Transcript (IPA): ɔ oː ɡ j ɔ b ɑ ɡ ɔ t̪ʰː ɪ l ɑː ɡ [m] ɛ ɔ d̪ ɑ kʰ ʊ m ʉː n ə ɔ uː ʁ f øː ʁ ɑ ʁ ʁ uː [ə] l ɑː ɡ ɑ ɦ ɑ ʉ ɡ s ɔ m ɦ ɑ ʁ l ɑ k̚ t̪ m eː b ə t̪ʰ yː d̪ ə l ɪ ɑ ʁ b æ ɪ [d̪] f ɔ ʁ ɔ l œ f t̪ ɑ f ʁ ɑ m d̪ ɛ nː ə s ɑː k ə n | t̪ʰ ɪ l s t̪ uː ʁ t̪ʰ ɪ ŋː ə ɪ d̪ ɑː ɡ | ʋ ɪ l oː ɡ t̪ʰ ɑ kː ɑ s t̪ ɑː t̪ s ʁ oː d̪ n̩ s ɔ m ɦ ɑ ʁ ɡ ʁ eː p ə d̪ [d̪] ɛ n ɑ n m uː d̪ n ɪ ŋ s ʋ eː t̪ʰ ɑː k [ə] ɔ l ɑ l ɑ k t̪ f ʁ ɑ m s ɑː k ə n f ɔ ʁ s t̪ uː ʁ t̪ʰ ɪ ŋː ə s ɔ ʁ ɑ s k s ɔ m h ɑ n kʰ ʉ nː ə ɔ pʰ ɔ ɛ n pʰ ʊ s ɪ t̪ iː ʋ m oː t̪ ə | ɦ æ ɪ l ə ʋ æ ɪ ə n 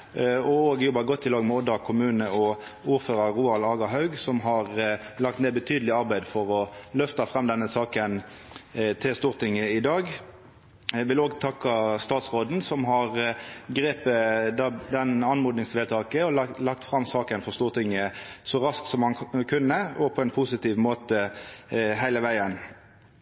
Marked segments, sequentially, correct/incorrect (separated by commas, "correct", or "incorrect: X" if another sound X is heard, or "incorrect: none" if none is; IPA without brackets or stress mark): correct, incorrect: ɑ, correct, correct, correct